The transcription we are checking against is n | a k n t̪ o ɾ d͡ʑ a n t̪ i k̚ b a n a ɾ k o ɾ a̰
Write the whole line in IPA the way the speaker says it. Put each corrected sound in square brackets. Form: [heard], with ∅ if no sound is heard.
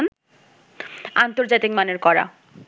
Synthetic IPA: n | a [∅] n t̪ o ɾ d͡ʑ a [∅] t̪ i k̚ [m] a n [e] ɾ k [ɔ] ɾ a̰